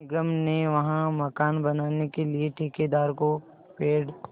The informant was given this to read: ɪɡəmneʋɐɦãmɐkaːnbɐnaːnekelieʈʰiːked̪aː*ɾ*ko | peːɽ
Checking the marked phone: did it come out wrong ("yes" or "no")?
no